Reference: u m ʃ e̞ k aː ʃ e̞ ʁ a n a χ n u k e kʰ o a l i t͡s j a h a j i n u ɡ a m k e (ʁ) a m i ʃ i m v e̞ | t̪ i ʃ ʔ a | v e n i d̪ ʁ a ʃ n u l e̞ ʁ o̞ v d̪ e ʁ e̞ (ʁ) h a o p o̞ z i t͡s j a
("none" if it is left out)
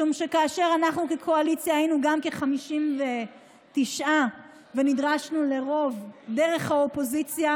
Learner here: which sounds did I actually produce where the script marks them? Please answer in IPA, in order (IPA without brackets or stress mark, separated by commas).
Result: χ, χ